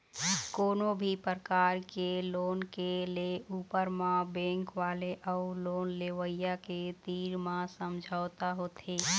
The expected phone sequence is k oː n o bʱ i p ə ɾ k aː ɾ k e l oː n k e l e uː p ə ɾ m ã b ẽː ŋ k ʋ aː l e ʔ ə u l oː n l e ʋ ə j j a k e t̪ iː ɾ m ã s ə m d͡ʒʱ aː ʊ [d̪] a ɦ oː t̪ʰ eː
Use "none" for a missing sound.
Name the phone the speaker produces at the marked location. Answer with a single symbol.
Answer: t̪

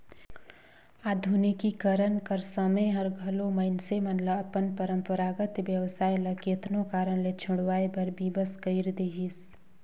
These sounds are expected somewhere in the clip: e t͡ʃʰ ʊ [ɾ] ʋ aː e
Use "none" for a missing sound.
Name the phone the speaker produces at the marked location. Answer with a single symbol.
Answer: ɽ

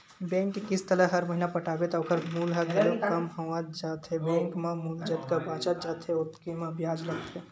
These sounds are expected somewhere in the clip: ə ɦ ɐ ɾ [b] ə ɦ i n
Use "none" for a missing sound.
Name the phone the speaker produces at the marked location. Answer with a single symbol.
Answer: m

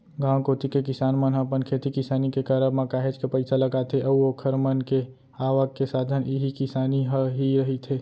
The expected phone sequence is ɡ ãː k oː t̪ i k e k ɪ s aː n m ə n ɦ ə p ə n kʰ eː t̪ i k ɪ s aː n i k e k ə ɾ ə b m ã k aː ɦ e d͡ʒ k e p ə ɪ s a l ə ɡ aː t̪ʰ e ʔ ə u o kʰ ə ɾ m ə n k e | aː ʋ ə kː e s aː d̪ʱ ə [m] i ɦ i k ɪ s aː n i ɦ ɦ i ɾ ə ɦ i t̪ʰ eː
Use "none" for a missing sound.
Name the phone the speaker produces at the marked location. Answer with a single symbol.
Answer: n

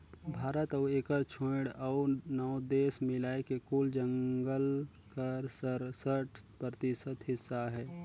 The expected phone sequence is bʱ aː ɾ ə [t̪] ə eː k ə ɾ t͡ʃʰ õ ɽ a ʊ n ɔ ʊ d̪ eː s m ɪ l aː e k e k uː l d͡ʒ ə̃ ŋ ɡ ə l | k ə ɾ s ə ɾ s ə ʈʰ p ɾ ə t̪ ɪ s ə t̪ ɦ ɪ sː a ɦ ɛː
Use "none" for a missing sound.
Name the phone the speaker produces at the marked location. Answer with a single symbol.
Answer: t̪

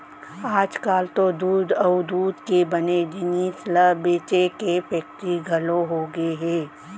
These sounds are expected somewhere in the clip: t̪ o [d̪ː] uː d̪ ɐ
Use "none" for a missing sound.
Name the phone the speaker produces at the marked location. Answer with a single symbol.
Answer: d̪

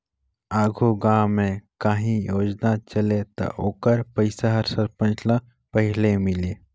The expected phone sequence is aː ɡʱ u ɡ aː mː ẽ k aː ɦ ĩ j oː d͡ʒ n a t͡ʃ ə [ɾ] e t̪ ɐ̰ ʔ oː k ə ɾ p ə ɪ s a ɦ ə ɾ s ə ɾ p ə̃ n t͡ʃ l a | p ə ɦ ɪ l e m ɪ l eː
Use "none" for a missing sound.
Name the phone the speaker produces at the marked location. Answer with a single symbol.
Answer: l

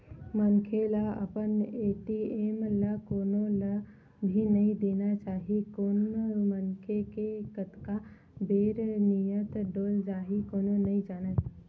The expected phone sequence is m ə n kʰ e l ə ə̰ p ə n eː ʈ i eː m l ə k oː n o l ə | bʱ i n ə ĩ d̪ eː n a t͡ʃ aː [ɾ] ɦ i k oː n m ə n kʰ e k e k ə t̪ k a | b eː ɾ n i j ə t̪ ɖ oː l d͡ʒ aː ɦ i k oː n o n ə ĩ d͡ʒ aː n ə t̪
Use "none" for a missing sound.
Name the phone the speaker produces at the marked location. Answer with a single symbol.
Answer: none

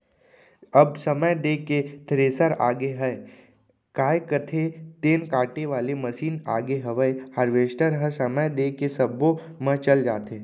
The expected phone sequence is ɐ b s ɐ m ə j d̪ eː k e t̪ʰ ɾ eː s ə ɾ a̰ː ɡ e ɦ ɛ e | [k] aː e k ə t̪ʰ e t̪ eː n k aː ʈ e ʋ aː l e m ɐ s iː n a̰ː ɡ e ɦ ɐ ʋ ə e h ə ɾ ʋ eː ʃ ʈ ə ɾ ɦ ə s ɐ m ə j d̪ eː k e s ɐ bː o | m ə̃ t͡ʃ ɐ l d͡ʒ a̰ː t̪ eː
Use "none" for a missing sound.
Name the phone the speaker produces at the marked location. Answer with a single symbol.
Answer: k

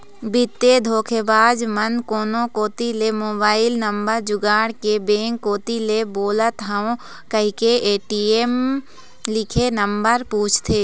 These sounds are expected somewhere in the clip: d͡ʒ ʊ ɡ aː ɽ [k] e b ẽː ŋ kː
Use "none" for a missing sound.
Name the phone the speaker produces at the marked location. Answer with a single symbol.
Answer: k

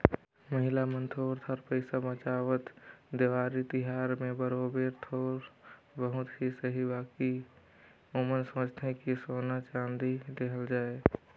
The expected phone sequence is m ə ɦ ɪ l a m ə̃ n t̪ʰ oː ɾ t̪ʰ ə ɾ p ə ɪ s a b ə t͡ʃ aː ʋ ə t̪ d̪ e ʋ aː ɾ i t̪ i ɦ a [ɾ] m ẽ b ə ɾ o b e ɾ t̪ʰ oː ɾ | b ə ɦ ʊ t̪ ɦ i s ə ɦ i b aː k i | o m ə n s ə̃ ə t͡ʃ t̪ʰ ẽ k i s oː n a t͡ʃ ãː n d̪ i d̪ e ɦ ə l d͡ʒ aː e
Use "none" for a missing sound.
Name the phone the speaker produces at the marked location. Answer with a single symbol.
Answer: ɾ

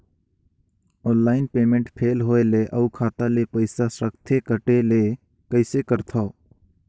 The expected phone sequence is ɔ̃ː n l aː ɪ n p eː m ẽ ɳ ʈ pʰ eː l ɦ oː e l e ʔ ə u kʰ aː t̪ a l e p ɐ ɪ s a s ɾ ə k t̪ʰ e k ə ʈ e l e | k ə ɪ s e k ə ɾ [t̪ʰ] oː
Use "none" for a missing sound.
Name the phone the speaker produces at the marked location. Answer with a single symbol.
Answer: t̪ʰ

